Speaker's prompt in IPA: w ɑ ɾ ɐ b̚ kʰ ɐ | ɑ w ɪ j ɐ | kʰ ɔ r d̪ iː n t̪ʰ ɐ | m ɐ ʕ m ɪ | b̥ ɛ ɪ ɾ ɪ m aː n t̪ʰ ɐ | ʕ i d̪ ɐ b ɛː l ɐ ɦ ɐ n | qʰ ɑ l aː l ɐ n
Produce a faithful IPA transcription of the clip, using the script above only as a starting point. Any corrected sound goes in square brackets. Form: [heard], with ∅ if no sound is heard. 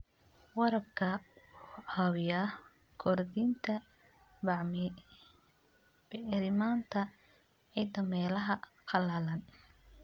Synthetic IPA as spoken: w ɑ ɾ ɐ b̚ kʰ ɐ | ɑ w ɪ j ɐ | kʰ ɔ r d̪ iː n t̪ʰ ɐ | [b] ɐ ʕ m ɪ | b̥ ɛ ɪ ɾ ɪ m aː n t̪ʰ ɐ | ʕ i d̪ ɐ [m] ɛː l ɐ ɦ ɐ [∅] | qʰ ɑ l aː l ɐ n